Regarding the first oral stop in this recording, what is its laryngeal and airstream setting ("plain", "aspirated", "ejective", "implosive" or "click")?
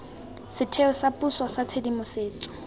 aspirated